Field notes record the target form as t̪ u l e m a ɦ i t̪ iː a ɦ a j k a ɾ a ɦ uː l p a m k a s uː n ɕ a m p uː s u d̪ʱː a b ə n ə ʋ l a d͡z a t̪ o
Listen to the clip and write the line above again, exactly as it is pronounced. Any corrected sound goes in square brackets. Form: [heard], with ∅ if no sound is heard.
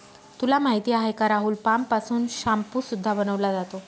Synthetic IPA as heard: t̪ u l [a] m a ɦ i t̪ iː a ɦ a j k a ɾ a ɦ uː l p a m [p] a s uː n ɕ a m p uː s u d̪ʱː a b ə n ə ʋ l a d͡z a t̪ o